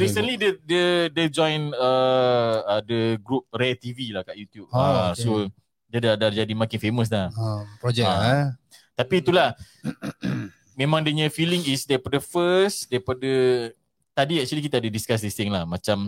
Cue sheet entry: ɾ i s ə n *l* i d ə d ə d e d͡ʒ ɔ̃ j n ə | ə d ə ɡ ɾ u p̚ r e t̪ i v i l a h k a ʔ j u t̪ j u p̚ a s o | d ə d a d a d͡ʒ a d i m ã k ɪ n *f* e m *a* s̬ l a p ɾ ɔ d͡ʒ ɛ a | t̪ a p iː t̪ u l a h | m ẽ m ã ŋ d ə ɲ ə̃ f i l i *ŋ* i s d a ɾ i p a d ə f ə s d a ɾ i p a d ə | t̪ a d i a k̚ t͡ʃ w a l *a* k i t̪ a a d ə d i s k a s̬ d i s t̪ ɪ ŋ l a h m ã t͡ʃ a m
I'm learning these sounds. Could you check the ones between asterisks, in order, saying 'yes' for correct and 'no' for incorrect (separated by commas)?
yes, yes, no, yes, no